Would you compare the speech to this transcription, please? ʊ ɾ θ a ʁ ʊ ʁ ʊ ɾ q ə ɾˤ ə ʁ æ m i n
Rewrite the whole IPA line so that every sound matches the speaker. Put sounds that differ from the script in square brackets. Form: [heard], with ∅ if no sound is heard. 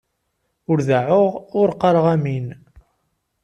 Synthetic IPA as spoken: ʊ ɾ [ð] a [ʕ] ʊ ʁ ʊ ɾ q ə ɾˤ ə ʁ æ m i n